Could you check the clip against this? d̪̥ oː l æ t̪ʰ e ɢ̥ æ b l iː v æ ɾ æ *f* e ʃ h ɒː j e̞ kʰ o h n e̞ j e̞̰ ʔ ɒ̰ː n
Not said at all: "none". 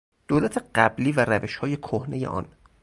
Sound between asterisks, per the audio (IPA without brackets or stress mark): v